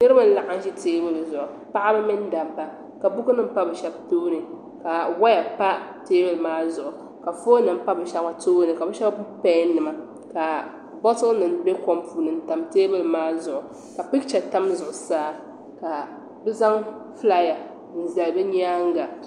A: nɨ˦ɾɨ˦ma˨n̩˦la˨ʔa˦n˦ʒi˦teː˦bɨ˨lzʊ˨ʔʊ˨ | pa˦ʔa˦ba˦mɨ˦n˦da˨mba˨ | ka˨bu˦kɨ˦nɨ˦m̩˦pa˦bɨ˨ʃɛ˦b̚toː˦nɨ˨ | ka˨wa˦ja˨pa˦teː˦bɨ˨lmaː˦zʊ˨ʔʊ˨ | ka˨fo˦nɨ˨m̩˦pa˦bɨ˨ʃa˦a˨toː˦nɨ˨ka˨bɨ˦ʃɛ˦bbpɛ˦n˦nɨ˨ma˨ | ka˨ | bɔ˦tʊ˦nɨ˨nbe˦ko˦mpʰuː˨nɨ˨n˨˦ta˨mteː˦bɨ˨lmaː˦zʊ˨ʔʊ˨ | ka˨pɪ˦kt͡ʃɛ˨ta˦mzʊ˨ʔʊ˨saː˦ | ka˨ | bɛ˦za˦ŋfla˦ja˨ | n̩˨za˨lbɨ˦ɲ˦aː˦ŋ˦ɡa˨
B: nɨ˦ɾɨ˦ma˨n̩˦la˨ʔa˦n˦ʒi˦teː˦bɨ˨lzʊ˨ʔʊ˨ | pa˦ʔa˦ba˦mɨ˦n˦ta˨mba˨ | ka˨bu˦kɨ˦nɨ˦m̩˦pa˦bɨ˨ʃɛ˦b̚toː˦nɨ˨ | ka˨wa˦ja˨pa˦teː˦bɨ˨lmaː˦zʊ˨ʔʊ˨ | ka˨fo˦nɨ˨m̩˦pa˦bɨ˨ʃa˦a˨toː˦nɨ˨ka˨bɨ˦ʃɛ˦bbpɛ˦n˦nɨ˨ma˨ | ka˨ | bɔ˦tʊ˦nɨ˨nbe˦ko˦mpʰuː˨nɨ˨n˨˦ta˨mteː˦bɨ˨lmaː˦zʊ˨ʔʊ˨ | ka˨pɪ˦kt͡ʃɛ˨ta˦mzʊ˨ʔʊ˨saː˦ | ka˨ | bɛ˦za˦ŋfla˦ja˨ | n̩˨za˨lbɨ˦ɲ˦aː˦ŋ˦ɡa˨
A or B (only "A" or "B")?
A